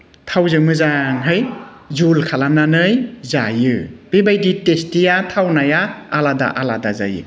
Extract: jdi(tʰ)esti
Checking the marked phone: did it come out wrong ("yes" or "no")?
yes